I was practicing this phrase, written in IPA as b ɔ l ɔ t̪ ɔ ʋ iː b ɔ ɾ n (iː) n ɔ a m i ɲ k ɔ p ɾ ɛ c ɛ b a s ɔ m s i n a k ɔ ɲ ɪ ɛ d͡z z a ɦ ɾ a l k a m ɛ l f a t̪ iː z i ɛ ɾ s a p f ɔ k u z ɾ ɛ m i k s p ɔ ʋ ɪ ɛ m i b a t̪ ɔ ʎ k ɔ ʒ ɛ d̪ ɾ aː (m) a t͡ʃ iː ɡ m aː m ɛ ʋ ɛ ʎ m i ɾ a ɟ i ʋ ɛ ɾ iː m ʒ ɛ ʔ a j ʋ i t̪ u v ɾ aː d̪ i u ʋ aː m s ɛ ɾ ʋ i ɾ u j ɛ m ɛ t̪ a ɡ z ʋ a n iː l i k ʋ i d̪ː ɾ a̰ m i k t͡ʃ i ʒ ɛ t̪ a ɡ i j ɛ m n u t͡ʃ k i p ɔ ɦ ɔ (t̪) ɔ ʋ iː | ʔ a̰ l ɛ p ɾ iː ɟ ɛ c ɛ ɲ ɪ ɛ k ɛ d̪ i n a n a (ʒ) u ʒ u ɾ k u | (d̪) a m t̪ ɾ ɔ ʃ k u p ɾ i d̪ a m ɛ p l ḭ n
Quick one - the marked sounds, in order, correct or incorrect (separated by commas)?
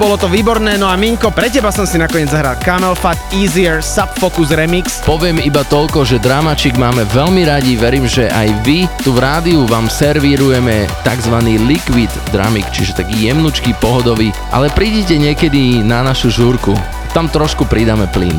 incorrect, correct, incorrect, incorrect, incorrect